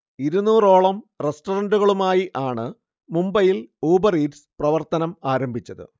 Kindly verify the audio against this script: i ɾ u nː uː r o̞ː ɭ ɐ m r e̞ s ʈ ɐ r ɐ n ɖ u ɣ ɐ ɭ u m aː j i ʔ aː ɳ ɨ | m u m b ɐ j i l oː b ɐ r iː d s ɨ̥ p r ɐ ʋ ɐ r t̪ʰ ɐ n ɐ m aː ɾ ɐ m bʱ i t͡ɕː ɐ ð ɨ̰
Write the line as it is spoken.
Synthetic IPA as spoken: i ɾ u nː uː r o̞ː ɭ ɐ m r e̞ s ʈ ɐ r ɐ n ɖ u ɣ ɐ ɭ u m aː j i ʔ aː ɳ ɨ | m u m b ɐ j i l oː b ɐ r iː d s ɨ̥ p r ɐ ʋ ɐ r t̪ ɐ n ɐ m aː ɾ ɐ m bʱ i t͡ɕː ɐ ð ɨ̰